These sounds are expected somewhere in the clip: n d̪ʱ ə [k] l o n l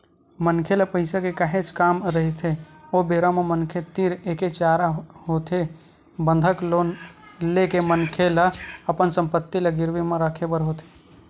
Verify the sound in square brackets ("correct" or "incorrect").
correct